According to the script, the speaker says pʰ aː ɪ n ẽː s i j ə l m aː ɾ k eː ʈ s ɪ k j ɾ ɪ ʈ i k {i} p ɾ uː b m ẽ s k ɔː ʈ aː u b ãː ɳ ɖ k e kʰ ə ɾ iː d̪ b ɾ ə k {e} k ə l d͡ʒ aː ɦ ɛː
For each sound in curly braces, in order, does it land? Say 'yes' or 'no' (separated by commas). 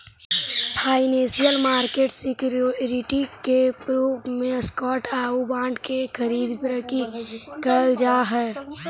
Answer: no, no